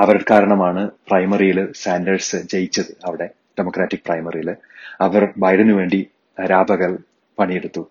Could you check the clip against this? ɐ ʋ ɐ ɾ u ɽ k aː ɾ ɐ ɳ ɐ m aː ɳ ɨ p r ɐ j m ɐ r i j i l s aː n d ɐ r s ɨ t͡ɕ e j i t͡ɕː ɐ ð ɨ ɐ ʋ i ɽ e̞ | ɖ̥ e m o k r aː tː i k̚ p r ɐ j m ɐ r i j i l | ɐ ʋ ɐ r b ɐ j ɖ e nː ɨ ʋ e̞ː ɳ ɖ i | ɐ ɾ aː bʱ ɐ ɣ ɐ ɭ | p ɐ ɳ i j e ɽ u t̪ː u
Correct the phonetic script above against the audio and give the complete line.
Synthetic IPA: ɐ ʋ ɐ ɾ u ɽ k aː ɾ ɐ ɳ ɐ m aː ɳ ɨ p r ɐ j m ɐ r i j i l s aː n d ɐ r s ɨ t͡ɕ e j i t͡ɕː ɐ ð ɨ ɐ ʋ i ɽ e̞ | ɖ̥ e m o k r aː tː i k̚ p r ɐ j m ɐ r i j i l | ɐ ʋ ɐ r b ɐ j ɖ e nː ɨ ʋ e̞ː ɳ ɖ i | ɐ ɾ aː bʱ ɐ ɣ ɐ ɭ | p ɐ ɳ i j e ɽ u t̪ː u